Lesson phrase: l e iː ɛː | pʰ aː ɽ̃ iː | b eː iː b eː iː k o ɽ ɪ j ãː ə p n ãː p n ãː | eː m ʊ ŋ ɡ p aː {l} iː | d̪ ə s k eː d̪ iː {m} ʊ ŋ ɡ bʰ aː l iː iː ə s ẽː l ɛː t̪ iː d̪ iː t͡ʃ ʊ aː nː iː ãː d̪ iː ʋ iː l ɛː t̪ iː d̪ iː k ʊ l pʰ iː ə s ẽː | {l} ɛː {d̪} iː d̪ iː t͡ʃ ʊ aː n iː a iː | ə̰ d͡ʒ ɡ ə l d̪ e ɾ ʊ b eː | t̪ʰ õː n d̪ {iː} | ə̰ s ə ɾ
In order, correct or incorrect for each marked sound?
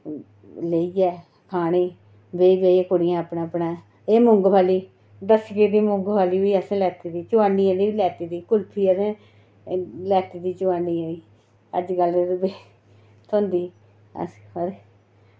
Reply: correct, correct, correct, incorrect: t̪, correct

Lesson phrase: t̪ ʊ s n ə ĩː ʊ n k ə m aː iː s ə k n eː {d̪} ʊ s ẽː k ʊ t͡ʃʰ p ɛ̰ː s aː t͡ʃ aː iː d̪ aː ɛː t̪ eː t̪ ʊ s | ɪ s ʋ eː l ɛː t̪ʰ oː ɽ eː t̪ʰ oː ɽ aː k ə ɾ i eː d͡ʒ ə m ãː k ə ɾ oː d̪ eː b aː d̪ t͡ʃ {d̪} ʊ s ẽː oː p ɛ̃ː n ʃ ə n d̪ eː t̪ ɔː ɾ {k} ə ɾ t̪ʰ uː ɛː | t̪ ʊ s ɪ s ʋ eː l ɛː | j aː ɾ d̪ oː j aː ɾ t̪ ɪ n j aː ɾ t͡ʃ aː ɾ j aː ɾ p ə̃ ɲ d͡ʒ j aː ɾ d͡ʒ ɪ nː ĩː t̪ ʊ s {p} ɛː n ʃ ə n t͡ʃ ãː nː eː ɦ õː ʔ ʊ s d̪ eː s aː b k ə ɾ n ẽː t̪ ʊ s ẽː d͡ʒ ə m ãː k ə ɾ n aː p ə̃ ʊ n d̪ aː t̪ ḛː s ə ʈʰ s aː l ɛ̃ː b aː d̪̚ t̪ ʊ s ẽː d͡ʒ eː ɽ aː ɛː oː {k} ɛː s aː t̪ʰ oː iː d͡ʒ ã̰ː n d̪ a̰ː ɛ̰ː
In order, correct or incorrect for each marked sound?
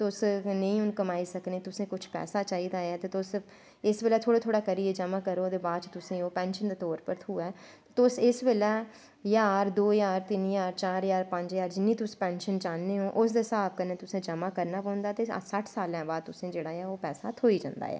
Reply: incorrect: t̪, incorrect: t̪, incorrect: p, correct, incorrect: p

